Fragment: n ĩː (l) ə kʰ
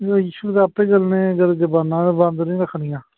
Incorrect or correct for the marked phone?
incorrect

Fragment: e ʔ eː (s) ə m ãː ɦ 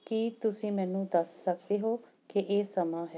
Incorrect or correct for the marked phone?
correct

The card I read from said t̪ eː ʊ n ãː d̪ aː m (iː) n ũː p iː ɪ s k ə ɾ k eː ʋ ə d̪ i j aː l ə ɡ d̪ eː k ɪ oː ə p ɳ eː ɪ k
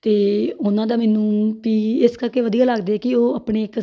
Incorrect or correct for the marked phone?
incorrect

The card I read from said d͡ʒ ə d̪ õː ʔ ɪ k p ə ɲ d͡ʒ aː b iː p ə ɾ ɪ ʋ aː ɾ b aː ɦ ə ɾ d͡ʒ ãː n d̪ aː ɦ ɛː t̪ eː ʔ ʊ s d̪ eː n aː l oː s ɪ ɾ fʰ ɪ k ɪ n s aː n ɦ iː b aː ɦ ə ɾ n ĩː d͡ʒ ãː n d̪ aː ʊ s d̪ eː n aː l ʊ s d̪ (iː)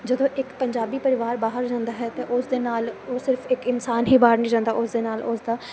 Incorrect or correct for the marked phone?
incorrect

